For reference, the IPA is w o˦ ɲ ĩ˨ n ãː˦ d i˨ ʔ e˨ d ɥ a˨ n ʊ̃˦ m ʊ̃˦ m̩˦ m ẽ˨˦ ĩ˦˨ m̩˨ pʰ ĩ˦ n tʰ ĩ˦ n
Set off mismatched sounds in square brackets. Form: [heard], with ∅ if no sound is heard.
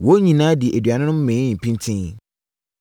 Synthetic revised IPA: w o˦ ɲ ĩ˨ n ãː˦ d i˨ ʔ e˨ d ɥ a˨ n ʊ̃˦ [n] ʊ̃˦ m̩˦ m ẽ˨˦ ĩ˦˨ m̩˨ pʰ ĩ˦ n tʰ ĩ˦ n

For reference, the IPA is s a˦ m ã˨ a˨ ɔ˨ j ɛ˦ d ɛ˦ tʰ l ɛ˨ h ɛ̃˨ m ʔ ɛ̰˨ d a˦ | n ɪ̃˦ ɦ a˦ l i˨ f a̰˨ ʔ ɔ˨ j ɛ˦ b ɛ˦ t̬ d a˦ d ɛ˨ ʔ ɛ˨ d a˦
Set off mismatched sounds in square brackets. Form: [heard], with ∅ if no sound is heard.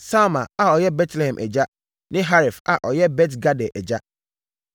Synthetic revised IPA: s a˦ m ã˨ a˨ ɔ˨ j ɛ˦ [b] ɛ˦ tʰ l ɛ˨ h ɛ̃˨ m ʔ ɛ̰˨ [d͡ʑ] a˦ | n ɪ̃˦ ɦ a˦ [ɾ] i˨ f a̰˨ ʔ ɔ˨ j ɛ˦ b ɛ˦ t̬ [ɡ] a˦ d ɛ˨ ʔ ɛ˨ [d͡ʑ] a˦

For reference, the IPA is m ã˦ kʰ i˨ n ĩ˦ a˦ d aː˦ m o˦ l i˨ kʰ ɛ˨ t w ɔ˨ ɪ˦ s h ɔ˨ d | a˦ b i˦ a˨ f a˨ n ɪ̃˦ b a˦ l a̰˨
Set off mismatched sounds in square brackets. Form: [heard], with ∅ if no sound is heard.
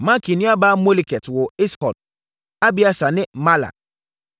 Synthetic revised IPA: m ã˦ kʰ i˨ n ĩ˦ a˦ [b] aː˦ m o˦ l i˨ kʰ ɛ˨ t w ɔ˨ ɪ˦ s h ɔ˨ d | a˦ b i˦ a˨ [s] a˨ n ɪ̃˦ [m] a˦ l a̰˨

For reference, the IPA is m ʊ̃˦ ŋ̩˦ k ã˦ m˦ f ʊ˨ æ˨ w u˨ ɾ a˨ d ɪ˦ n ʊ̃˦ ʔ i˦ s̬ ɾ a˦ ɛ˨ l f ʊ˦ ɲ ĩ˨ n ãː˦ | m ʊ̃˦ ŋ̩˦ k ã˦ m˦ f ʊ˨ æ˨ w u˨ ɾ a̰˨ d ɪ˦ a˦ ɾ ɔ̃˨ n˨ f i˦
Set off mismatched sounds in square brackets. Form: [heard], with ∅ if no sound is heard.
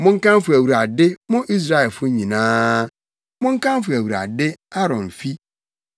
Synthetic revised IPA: m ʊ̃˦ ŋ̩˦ k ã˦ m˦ f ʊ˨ æ˨ w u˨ ɾ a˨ d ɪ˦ [m] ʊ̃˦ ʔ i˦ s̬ ɾ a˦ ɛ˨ l f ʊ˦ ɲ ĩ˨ n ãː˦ | m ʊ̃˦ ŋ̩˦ k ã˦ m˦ f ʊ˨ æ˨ w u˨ ɾ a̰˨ d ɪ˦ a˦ ɾ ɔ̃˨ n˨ f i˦

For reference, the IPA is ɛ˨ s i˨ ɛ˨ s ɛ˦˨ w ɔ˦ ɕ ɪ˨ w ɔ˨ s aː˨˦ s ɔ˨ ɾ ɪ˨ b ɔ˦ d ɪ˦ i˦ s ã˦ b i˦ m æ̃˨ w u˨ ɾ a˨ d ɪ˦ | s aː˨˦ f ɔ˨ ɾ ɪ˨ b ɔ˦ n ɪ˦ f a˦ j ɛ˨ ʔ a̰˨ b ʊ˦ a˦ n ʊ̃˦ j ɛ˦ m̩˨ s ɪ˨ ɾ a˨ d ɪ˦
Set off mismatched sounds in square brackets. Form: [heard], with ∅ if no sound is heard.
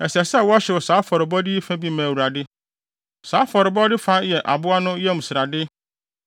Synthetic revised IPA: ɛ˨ s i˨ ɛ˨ s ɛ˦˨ w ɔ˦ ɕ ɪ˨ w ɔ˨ s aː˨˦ [f] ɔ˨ ɾ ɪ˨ b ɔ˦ d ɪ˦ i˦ [f] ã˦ b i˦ m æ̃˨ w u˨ ɾ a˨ d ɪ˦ | s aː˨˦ f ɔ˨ ɾ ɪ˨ b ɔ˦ [d] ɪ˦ f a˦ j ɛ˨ ʔ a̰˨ b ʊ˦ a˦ n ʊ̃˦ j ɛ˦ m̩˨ s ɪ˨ ɾ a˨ d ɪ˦

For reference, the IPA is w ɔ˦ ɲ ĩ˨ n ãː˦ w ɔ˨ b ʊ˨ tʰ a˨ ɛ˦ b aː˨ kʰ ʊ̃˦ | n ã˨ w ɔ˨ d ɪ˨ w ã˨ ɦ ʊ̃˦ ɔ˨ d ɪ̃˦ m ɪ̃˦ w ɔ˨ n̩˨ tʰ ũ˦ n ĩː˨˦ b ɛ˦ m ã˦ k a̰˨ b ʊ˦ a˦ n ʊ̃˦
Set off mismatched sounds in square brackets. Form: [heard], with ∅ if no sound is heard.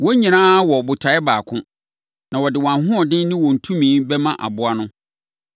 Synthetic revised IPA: w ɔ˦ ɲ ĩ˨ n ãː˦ w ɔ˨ b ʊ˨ tʰ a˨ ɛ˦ b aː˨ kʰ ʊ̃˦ | n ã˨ w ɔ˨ d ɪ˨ w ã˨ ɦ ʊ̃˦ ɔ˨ d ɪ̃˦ [n] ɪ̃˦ w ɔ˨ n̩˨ tʰ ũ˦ [m] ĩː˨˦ b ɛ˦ m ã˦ [ʔ] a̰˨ b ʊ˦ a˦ n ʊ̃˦

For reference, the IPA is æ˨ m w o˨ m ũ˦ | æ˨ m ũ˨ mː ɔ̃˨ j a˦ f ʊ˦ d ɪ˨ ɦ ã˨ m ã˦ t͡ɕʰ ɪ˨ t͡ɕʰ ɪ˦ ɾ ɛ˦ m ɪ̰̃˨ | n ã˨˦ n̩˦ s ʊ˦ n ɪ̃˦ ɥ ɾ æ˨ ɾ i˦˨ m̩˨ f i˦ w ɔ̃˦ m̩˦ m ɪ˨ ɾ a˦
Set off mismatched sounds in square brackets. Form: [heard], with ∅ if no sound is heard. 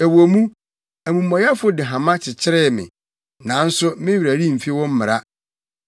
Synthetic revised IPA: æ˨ [∅] w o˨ m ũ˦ | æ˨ m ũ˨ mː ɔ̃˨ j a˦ f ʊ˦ d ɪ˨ ɦ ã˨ m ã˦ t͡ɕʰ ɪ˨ t͡ɕʰ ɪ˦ ɾ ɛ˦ m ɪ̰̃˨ | n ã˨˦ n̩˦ s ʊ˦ [m] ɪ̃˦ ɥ ɾ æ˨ ɾ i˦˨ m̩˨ f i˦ w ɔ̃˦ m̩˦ m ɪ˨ ɾ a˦

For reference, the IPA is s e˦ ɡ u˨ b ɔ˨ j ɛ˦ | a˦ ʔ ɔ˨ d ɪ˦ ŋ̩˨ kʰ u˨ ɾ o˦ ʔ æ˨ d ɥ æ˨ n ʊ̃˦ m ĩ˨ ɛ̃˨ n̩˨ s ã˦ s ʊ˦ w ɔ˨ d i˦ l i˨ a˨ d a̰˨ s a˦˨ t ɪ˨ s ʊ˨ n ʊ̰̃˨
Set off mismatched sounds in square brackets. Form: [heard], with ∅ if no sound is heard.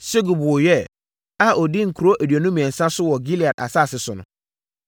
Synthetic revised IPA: s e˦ ɡ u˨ b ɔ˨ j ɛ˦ | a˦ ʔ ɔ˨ d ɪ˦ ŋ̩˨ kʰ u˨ ɾ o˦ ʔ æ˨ d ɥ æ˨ n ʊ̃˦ m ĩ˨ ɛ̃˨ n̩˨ s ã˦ s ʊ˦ w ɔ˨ [ɡ] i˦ l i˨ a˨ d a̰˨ s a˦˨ [s] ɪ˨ s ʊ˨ n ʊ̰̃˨

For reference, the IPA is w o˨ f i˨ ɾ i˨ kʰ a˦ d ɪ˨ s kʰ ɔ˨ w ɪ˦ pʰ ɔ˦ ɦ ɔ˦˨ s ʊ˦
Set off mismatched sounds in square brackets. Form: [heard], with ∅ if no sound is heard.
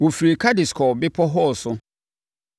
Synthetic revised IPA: w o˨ f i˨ ɾ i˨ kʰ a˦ d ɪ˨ s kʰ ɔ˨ [b] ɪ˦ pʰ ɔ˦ ɦ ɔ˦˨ s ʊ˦

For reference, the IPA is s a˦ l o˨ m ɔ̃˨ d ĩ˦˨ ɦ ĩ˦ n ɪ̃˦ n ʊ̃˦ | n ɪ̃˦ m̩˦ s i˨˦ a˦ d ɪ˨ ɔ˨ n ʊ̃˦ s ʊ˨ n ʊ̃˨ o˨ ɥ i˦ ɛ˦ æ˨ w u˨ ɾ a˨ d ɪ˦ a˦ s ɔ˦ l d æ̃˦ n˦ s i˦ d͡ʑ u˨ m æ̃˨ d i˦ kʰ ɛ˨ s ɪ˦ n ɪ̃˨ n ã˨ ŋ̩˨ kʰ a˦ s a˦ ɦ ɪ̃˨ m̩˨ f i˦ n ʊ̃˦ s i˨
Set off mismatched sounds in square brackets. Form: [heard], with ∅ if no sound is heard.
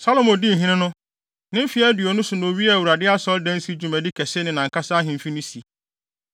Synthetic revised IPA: s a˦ l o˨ m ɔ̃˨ d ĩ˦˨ ɦ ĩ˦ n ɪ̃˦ n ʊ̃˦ | n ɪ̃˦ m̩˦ [f] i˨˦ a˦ d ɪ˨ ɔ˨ n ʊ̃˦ s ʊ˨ n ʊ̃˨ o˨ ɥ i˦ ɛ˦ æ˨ w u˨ ɾ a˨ d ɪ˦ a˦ s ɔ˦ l d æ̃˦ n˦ s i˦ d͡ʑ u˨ m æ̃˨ d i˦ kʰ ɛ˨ s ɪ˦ n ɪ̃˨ n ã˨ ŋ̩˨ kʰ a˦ s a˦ ɦ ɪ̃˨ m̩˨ f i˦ n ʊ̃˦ s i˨

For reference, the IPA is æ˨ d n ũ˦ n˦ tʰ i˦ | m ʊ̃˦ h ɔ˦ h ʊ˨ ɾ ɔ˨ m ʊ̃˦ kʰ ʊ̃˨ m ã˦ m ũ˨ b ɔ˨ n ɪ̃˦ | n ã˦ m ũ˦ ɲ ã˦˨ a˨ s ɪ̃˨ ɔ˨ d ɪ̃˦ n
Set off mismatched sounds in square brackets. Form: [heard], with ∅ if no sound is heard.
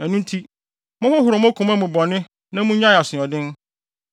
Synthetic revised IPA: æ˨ [∅] n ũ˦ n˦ tʰ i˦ | m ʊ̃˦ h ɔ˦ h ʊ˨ ɾ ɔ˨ m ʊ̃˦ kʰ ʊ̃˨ m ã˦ m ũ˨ b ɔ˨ n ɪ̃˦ | n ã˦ m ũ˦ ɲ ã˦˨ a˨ s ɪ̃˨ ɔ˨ d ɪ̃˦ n

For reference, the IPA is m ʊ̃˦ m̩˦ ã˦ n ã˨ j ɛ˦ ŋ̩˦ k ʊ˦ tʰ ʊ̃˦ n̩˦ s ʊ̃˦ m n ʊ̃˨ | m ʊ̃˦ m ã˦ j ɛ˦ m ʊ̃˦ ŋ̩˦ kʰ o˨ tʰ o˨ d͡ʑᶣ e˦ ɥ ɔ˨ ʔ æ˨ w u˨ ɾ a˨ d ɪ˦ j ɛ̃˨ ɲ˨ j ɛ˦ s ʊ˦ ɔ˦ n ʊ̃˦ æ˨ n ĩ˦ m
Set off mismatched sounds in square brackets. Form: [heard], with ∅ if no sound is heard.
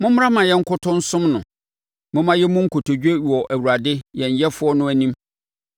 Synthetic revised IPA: m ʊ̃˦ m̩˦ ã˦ [m] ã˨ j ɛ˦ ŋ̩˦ k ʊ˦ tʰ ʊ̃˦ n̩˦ s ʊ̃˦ m n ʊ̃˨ | m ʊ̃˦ m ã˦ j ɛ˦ m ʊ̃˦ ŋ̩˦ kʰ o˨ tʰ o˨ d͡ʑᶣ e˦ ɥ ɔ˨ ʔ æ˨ w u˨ ɾ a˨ d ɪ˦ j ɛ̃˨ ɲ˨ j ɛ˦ [f] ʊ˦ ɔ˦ n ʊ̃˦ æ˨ n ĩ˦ m

